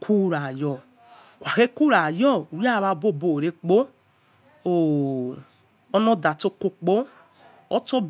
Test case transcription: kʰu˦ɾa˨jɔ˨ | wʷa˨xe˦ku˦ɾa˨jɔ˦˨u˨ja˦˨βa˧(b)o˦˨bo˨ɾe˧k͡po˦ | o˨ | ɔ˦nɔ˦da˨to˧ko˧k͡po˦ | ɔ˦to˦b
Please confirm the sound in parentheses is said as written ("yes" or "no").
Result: yes